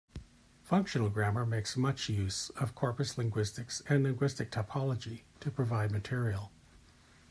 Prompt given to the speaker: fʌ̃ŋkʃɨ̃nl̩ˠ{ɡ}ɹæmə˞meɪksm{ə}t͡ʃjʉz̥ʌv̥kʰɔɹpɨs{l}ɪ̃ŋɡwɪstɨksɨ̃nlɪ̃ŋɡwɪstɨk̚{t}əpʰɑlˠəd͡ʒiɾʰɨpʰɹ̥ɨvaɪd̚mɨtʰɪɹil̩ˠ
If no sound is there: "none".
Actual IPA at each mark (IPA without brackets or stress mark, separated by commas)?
ɡ, ʌ, l, tʰ